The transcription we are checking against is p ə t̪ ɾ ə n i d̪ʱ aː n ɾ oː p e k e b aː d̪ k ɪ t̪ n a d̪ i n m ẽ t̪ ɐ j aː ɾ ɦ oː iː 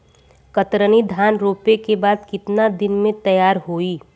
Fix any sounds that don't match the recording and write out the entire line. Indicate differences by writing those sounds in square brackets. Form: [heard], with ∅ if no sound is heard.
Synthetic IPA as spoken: [k] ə t̪ ɾ ə n i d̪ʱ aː n ɾ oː p e k e b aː d̪ k ɪ t̪ n a d̪ [ɪ] n m ẽ t̪ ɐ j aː ɾ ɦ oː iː